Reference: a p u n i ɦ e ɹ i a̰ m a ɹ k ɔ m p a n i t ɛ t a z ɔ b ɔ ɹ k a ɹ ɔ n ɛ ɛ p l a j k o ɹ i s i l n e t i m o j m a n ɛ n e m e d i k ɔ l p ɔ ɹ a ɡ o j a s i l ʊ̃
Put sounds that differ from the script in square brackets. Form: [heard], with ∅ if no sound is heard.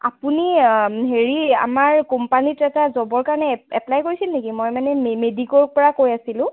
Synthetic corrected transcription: a p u n i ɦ e ɹ i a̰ m a ɹ k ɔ m p a n i t ɛ t a z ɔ b ɔ ɹ k a ɹ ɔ n ɛ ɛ p l a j k o ɹ i s i l n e [k] i m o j m a n ɛ [m] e m e d i k ɔ [ɹ] p ɔ ɹ a [k] o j a s i l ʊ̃